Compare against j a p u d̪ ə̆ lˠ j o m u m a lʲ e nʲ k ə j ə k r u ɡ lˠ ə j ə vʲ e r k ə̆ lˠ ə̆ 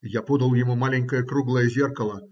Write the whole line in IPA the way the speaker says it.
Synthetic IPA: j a p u d̪ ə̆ lˠ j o m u m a lʲ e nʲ k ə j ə k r u ɡ lˠ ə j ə zʲ e r k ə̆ lˠ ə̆